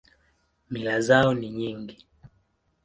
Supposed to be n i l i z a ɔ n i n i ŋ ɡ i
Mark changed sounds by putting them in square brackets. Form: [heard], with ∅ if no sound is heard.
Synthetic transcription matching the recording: [m] i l [a] z a ɔ n i [ɲ] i ŋ ɡ i